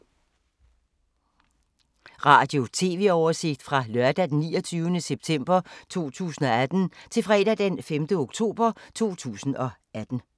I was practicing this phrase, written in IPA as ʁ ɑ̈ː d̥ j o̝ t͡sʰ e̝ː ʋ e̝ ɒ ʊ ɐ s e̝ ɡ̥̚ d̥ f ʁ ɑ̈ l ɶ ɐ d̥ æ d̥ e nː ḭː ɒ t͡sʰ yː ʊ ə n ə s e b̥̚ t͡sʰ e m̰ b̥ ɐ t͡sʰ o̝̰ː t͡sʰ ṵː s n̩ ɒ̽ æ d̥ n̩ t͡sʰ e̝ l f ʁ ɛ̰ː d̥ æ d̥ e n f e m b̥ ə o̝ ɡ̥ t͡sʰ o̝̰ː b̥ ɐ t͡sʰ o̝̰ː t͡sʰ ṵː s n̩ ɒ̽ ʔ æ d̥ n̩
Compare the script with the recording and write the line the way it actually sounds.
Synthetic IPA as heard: ʁ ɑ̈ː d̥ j o̝ t͡sʰ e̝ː ʋ e̝ ɒ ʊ ɐ s e̝ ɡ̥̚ d̥ f ʁ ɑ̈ l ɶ ɐ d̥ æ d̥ e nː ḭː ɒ t͡sʰ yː ʊ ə n ə s e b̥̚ t͡sʰ e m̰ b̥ ɐ t͡sʰ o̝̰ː t͡sʰ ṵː s n̩ ɒ̽ æ d̥ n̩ t͡sʰ e̝ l f ʁ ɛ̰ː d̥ æ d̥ e n f e m d̥ ə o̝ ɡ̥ t͡sʰ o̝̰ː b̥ ɐ t͡sʰ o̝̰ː t͡sʰ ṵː s n̩ ɒ̽ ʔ æ d̥ n̩

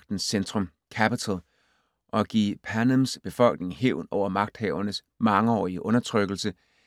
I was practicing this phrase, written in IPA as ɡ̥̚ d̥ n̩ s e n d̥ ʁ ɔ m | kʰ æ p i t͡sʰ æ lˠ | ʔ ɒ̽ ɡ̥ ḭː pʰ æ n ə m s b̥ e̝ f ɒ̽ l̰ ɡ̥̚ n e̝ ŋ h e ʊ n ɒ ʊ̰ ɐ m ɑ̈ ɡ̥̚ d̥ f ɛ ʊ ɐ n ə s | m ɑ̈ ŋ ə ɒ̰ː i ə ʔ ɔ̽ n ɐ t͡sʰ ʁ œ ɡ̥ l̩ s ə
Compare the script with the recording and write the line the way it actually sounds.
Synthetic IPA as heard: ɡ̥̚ d̥ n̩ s e n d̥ ʁ ɔ m | kʰ æ p i t͡sʰ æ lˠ | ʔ ɒ̽ ɡ̥ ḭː pʰ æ n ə m s b̥ e̝ f ɒ̽ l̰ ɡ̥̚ n e̝ ŋ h e ʊ n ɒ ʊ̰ ɐ m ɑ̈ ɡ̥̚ d̥ h ɛ ʊ ɐ n ə s | m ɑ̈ ŋ ə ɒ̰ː i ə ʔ ɔ̽ n ɐ t͡sʰ ʁ œ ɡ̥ l̩ s ə

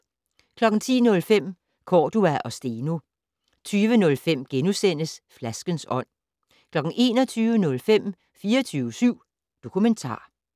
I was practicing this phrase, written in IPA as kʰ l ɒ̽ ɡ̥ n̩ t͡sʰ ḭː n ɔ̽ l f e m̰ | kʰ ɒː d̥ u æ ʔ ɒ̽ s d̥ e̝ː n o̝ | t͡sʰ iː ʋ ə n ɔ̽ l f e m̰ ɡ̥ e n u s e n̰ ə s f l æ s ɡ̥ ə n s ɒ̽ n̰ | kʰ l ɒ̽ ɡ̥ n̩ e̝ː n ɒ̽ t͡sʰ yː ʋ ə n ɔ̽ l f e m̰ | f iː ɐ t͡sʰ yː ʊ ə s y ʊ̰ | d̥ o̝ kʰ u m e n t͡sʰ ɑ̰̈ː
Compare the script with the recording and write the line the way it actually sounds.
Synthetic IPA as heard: kʰ l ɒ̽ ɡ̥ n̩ t͡sʰ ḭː n ɔ̽ l f e m̰ | kʰ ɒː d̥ u æ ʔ ɒ̽ s d̥ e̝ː n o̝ | t͡sʰ yː ʋ ə n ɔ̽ l f e m̰ ɡ̥ e n u s e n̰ ə s f l æ s ɡ̥ ə n s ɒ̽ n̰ | kʰ l ɒ̽ ɡ̥ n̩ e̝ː n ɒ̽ t͡sʰ yː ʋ ə n ɔ̽ l f e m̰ | f iː ɐ t͡sʰ yː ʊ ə s y ʊ̰ | d̥ o̝ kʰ u m e n t͡sʰ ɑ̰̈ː

